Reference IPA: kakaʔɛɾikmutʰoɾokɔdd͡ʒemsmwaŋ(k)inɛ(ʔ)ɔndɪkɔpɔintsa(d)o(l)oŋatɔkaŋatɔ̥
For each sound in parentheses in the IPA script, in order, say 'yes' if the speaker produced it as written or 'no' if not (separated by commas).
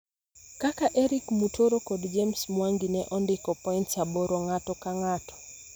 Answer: no, yes, no, no